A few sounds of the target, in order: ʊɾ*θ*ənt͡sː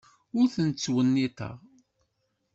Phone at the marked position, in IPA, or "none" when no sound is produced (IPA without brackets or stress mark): θ